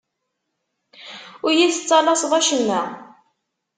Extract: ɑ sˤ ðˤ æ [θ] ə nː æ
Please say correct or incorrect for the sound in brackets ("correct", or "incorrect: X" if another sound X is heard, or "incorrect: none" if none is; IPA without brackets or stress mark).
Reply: incorrect: ʃ